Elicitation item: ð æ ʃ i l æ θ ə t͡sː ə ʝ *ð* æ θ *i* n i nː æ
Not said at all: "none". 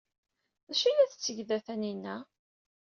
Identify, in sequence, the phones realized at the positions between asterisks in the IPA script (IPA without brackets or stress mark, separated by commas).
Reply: ð, æ